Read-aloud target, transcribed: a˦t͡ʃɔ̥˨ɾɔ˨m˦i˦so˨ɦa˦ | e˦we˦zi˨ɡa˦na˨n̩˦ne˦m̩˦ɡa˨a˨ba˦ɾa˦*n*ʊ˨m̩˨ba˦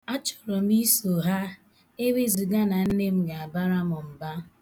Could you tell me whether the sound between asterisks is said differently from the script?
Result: yes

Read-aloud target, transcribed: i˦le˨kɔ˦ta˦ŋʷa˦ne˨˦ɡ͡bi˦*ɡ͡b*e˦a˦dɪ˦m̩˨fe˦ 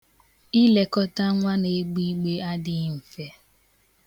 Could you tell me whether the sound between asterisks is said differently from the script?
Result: no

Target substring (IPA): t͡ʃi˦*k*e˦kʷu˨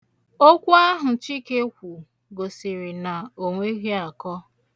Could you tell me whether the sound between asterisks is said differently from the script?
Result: no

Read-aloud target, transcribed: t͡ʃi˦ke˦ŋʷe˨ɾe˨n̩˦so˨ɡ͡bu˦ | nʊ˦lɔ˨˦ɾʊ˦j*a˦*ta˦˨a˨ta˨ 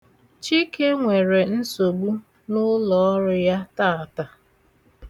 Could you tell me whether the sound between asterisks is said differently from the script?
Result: no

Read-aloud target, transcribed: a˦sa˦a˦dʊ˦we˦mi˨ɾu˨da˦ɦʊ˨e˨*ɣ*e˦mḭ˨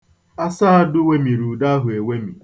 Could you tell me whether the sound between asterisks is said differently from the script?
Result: yes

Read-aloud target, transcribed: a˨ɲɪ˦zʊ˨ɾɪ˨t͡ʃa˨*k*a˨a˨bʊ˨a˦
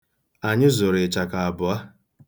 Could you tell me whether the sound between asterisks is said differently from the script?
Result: no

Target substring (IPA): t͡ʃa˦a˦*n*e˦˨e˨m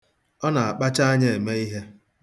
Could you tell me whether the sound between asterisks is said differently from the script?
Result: yes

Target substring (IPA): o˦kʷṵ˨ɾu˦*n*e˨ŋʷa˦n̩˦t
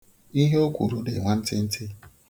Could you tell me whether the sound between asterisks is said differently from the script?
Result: yes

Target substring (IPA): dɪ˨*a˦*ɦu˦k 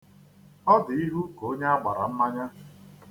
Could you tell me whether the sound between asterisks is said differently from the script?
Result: yes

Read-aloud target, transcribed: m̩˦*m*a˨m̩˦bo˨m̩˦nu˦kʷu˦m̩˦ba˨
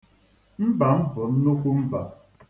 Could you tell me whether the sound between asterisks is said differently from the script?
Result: yes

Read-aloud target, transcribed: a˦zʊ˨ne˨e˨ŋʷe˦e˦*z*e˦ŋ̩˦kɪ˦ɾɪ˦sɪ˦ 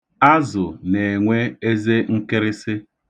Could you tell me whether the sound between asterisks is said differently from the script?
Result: no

